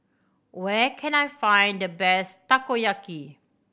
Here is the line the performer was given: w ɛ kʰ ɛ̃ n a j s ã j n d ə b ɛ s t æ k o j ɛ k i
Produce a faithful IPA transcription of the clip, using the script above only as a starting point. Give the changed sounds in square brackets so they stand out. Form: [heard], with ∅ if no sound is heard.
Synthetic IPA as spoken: w ɛ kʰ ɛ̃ n a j [f] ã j n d ə b ɛ s t [a] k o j [a] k i